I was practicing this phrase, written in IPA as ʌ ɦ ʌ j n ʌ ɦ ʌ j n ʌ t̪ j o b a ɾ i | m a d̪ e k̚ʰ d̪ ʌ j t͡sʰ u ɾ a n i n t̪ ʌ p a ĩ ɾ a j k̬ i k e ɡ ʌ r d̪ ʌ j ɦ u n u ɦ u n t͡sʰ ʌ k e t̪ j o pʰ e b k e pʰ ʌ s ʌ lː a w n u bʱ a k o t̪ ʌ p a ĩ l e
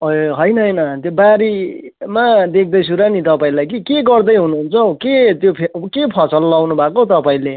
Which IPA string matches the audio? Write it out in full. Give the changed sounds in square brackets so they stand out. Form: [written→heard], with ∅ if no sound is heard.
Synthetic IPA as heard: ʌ ɦ ʌ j n ʌ ɦ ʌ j n ʌ t̪ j o b a ɾ i | m a d̪ e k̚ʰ d̪ ʌ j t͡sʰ u ɾ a n i [n→∅] t̪ ʌ p a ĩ [ɾ→l] a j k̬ i k e ɡ ʌ r d̪ ʌ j ɦ u n u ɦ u n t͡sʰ ʌ k e t̪ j o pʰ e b k e pʰ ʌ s ʌ lː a w n u bʱ a k o t̪ ʌ p a ĩ l e